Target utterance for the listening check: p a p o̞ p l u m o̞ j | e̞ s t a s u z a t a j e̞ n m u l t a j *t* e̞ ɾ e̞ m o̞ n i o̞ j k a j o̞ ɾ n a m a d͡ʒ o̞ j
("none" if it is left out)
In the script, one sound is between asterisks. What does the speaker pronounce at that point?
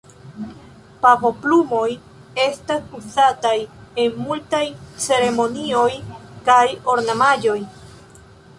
t͡s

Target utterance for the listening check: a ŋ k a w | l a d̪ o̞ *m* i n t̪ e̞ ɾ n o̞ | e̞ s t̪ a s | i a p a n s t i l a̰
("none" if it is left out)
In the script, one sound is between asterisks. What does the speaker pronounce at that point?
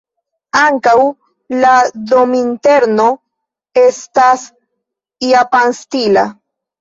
m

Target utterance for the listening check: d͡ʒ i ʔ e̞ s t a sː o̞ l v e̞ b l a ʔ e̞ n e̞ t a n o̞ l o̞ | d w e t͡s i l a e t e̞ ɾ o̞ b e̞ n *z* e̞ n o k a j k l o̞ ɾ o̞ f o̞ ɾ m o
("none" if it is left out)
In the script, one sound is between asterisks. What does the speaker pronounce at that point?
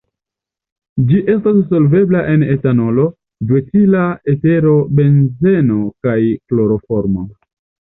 z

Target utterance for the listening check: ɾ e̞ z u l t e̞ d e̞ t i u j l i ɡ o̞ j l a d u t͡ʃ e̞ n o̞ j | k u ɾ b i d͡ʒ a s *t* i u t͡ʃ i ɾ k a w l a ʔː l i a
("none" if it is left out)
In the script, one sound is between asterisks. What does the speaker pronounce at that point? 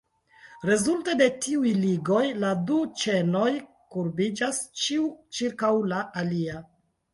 t͡ʃ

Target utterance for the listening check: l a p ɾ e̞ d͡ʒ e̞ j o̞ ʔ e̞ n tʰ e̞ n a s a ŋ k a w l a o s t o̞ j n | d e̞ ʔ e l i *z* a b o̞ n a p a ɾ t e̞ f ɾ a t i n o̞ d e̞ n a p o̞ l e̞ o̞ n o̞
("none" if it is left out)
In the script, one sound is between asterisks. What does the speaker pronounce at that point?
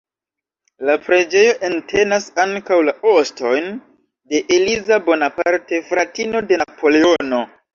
z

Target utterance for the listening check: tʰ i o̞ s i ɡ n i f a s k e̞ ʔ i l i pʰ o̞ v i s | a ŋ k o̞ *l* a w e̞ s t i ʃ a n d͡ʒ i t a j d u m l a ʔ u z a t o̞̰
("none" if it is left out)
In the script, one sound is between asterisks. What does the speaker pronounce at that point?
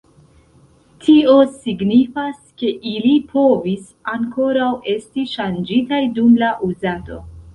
ɾ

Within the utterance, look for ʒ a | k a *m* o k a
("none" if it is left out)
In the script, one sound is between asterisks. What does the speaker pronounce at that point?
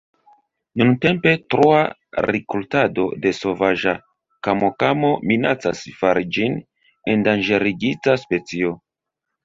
m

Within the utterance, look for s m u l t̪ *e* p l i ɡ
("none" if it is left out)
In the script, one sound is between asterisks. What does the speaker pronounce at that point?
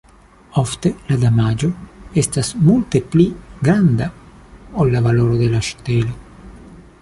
e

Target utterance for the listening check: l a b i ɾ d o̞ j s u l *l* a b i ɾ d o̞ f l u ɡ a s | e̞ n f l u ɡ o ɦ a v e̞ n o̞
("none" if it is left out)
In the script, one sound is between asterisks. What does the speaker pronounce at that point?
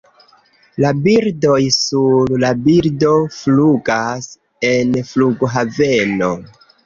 l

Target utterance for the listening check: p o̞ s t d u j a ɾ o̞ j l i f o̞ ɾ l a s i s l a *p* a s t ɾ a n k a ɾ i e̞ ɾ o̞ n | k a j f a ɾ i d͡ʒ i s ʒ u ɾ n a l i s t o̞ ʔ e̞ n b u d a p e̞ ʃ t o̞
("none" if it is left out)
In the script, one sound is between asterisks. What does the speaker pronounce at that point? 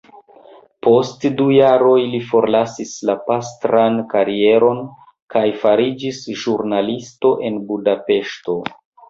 p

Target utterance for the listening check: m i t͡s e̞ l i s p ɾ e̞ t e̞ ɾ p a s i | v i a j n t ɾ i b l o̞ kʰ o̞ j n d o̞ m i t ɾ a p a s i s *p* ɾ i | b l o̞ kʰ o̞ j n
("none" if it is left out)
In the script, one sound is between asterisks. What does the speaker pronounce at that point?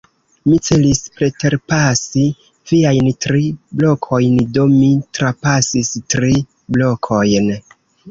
t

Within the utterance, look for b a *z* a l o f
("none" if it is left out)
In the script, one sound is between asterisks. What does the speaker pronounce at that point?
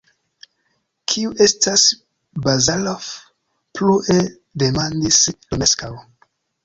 z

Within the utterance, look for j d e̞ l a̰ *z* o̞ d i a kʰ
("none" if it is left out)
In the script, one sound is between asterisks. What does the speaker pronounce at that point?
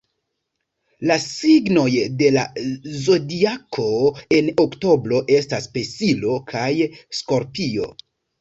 z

